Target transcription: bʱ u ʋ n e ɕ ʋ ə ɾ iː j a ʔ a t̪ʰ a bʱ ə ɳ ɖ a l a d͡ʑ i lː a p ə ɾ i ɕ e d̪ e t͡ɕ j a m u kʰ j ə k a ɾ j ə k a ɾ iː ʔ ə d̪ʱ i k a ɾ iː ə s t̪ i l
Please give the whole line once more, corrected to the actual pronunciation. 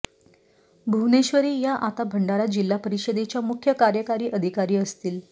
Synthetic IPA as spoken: bʱ u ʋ n e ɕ ʋ ə ɾ iː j a ʔ a t̪ a bʱ ə ɳ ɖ a ɾ a d͡ʑ i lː a p ə ɾ i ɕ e d̪ e t͡ɕ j a m u kʰ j ə k a ɾ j ə k a ɾ iː ʔ ə d̪ʱ i k a ɾ iː ə s t̪ iː l